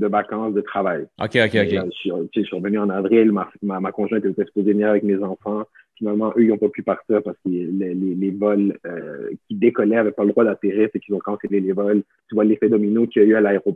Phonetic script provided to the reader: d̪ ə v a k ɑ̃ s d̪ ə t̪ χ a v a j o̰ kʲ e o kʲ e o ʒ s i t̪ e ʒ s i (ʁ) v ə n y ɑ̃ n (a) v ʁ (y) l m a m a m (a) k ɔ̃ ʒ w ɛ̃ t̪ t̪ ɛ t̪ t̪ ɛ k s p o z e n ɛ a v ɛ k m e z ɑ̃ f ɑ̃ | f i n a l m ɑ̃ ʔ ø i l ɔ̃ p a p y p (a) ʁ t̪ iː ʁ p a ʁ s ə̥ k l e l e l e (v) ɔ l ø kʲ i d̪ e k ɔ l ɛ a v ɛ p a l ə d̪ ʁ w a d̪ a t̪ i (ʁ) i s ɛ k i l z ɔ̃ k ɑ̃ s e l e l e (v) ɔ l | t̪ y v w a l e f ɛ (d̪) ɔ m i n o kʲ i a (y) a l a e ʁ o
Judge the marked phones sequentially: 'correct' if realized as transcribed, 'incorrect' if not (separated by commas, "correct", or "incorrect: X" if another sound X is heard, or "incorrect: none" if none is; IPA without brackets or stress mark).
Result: correct, correct, incorrect: i, correct, correct, correct, correct, correct, correct, correct